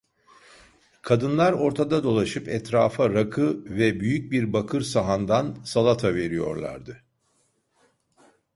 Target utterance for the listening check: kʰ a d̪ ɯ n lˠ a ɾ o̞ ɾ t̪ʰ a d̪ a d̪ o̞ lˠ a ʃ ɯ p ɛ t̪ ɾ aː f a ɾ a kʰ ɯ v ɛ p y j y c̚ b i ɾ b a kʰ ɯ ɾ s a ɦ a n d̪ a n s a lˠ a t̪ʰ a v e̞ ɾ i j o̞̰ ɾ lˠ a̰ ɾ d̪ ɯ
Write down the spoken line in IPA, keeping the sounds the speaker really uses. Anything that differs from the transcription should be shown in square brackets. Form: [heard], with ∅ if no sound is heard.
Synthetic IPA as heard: kʰ a d̪ ɯ n lˠ a ɾ o̞ ɾ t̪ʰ a d̪ a d̪ o̞ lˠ a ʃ ɯ p ɛ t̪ ɾ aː f a ɾ a kʰ ɯ v ɛ [b] y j y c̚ b i ɾ b a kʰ ɯ ɾ s a ɦ a n d̪ a n s a lˠ a t̪ʰ a v e̞ ɾ i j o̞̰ ɾ lˠ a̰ ɾ d̪ ɯ